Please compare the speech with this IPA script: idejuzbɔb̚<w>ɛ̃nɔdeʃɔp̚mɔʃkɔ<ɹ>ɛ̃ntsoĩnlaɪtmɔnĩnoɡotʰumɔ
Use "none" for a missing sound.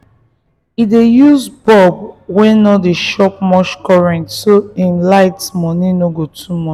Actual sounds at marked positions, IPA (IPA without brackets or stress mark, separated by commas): w, ɹ